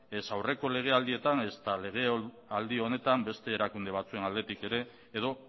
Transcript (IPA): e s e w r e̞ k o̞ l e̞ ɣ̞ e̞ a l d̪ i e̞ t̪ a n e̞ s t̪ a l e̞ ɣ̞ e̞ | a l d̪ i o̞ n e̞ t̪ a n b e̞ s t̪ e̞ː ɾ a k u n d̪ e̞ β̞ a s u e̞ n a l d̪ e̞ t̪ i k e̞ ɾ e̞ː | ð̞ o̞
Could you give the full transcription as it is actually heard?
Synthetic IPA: e s a w r e̞ k o̞ l e̞ ɣ̞ e̞ a l d̪ i e̞ t̪ a n e̞ s t̪ a l e̞ ɣ̞ e̞ | a l d̪ i o̞ n e̞ t̪ a m b e̞ s t̪ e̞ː ɾ a k u n d̪ e̞ β̞ a t͡s u e̞ n a l d̪ e̞ t̪ i k e̞ ɾ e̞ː | ð̞ o̞

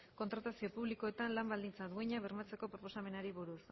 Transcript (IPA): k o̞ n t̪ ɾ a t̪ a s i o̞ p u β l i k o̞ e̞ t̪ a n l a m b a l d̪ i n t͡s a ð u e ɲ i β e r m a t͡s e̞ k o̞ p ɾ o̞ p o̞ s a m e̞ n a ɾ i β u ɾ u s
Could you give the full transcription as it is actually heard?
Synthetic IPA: k o̞ n t̪ ɾ a t̪ a s i o̞ p u β l i k o̞ e̞ t̪ a n l a m b a l d̪ i n t͡s a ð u e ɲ a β e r m a t͡s e̞ k o̞ p ɾ o̞ p o̞ s a m e̞ n a ɾ i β u ɾ u s

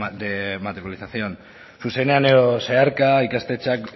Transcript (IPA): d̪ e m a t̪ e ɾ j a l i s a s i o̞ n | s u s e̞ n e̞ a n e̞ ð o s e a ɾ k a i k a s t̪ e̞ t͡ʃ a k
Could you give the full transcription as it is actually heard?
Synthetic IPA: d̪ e m a t̪ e ɾ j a l i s a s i o̞ n | s u s e̞ n e̞ a n e̞ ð o s e a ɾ k a i k a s t̪ e̞ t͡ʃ a k

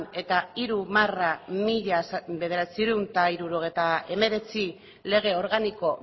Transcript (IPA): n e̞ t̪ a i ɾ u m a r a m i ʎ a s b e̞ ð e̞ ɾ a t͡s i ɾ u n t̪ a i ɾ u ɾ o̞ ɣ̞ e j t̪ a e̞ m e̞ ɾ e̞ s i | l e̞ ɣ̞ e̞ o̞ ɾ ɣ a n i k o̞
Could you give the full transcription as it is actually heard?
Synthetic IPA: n e̞ t̪ a i ɾ u m a r a m i ʎ a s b e̞ ð e̞ ɾ a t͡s i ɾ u n t̪ a i ɾ u ɾ o̞ ɣ̞ e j t̪ a e̞ m e̞ ɾ e̞ t͡s i | l e̞ ɣ̞ e̞ o̞ ɾ ɣ a n i k o̞

